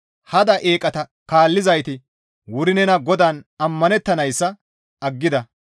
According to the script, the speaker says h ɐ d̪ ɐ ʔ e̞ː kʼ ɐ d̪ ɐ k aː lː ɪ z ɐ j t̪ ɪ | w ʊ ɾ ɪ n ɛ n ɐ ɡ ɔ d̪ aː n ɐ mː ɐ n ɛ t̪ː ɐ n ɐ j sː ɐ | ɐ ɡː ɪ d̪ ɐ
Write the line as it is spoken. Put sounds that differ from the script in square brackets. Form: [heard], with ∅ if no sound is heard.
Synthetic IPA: h ɐ d̪ ɐ ʔ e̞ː kʼ ɐ [t̪] ɐ k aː lː ɪ z ɐ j t̪ ɪ | w ʊ ɾ ɪ n ɛ n ɐ ɡ ɔ d̪ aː n ɐ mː ɐ n ɛ t̪ː ɐ n ɐ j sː ɐ | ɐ ɡː ɪ d̪ ɐ

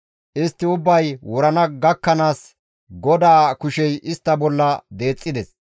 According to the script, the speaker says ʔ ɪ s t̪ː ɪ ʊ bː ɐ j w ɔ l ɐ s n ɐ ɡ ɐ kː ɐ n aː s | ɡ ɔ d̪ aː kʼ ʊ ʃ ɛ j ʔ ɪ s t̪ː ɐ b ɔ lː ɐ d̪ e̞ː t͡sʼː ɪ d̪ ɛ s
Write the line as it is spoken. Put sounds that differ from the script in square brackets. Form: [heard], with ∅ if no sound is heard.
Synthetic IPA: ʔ ɪ s t̪ː ɪ ʊ bː ɐ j w ɔ [ɾ] ɐ [∅] n ɐ ɡ ɐ kː ɐ n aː s | ɡ ɔ d̪ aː [k] ʊ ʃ ɛ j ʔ ɪ s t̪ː ɐ b ɔ lː ɐ d̪ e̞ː t͡sʼː ɪ d̪ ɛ s

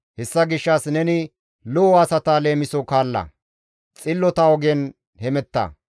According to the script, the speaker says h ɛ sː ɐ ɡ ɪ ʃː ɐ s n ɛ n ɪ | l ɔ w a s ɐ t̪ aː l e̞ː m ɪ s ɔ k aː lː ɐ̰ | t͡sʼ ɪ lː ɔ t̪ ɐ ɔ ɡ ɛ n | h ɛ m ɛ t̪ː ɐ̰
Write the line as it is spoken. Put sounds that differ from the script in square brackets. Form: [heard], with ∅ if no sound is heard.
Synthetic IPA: h ɛ sː ɐ ɡ ɪ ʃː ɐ s n ɛ n ɪ | l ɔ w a s ɐ t̪ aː l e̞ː m ɪ s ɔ k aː lː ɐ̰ | t͡sʼ ɪ lː ɔ t̪ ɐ ɔ ɡ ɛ n | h ɛ m ɛ t̪ː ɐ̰

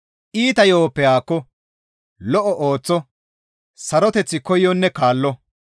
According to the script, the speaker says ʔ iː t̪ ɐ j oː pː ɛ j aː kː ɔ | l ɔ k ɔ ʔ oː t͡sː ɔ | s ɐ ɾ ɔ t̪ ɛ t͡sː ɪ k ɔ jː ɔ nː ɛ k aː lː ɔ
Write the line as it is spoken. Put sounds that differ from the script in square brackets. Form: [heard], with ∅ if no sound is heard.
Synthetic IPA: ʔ iː t̪ ɐ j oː pː ɛ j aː kː ɔ | l ɔ [ʔ] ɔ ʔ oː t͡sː ɔ | s ɐ ɾ ɔ t̪ ɛ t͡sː ɪ k ɔ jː ɔ nː ɛ k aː lː ɔ

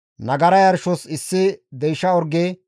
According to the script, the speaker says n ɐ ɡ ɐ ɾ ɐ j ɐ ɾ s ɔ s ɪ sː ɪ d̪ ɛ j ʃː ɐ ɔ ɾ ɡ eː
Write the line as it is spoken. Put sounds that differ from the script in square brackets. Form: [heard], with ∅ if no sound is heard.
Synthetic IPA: n ɐ ɡ ɐ ɾ ɐ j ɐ ɾ [ʃ] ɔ s ɪ sː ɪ d̪ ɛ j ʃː ɐ ɔ ɾ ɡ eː

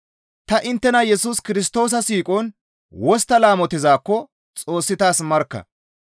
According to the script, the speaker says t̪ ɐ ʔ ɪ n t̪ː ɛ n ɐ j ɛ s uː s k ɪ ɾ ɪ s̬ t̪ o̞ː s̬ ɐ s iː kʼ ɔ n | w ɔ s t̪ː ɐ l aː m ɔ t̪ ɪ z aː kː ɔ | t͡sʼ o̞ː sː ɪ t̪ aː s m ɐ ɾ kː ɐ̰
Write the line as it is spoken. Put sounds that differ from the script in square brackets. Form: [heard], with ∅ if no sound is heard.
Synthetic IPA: t̪ ɐ ʔ ɪ n t̪ː ɛ n ɐ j ɛ s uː s k ɪ ɾ ɪ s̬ t̪ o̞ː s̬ ɐ s iː kʼ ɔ n | w ɔ s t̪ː ɐ l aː m ɔ t̪ ɪ z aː kː ɔ | t͡sʼ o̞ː sː ɪ t̪ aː s m ɐ ɾ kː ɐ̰

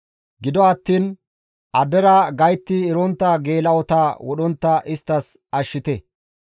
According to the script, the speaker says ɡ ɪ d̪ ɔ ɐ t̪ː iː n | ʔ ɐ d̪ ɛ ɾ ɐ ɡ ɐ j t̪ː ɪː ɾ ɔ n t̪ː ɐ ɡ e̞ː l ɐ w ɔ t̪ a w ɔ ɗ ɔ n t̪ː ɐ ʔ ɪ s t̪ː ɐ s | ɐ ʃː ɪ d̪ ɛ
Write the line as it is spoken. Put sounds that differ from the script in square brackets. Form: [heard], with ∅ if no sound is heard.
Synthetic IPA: ɡ ɪ d̪ ɔ ɐ t̪ː iː n | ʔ ɐ d̪ ɛ ɾ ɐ ɡ ɐ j t̪ː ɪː ɾ ɔ n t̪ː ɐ ɡ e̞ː l ɐ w ɔ t̪ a w ɔ ɗ ɔ n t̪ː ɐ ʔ ɪ s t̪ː ɐ s | ɐ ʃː ɪ [t̪] ɛ

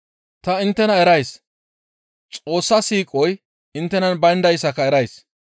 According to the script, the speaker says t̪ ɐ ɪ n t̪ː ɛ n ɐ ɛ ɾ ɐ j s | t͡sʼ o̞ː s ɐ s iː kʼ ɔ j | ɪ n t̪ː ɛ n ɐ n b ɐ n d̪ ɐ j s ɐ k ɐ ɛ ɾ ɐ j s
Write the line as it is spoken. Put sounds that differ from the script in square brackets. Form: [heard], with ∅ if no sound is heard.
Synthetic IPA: t̪ ɐ ɪ n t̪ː ɛ n ɐ ɛ ɾ ɐ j s | t͡sʼ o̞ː [sː] ɐ s iː kʼ ɔ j | ɪ n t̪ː ɛ n ɐ n b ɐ n d̪ ɐ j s ɐ k ɐ ɛ ɾ ɐ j s

